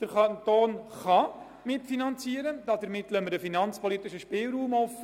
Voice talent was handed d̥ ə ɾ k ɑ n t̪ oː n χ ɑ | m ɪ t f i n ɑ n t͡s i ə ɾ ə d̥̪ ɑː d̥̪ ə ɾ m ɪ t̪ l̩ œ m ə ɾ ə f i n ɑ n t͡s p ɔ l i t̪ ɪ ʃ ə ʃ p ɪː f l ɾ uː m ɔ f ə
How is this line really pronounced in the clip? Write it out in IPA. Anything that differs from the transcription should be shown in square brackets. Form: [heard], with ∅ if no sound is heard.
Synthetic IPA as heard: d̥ ə ɾ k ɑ n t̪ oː n χ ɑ | m ɪ t f i n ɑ n t͡s i ə ɾ ə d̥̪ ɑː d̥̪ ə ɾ m ɪ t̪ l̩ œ m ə ɾ ə f i n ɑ n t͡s p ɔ l i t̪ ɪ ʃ ə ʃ p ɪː [∅] l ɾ uː m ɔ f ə